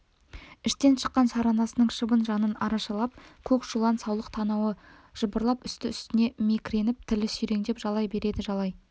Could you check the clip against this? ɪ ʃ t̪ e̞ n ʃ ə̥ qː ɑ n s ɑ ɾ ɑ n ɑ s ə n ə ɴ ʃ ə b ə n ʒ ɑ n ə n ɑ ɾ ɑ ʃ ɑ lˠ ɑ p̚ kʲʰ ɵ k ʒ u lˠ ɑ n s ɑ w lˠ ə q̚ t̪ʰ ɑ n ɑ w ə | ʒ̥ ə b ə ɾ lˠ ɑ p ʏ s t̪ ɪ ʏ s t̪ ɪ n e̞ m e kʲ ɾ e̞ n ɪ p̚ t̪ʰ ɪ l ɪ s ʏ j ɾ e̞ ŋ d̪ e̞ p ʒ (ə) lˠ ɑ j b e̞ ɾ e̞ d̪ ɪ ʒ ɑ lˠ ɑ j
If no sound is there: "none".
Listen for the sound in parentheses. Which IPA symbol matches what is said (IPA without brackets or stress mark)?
ɑ